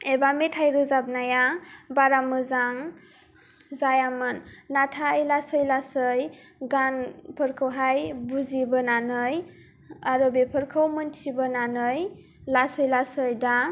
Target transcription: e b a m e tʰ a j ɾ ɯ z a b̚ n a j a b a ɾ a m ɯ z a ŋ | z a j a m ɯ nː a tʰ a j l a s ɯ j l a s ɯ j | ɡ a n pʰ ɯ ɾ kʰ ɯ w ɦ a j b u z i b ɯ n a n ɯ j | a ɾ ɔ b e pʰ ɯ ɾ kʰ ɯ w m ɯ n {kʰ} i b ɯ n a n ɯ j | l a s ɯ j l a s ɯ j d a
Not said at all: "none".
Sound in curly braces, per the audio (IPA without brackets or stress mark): tʰ